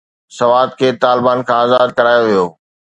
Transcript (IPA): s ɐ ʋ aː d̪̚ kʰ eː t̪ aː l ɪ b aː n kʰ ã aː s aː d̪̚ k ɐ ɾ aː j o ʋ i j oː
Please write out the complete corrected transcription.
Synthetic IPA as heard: s ɐ ʋ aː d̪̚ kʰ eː t̪ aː l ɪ b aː n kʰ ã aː z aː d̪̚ k ɐ ɾ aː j o ʋ i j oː